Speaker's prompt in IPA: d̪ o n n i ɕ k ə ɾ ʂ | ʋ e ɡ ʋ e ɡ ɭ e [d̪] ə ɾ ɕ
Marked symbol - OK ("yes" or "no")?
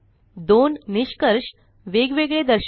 yes